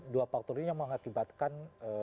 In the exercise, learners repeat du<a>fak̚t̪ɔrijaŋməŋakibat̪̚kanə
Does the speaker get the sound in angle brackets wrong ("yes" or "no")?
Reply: no